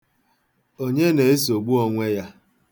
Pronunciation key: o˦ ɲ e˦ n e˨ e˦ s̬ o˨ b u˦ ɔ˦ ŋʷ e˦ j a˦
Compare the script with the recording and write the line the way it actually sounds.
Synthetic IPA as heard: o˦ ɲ e˦ n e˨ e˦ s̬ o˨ ɡ͡b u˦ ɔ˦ ŋʷ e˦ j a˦